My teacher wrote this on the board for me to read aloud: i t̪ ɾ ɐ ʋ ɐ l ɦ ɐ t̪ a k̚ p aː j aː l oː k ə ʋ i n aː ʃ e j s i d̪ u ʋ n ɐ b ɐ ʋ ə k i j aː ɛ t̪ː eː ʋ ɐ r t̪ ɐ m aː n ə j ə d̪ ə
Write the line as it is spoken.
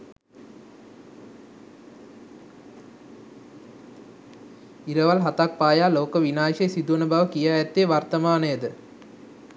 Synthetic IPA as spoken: i ɾ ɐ ʋ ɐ l ɦ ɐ t̪ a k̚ p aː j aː l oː k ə ʋ i n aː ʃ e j s i d̪ u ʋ n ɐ b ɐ ʋ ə k i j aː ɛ t̪ː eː ʋ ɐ r t̪ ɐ m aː n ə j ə d̪ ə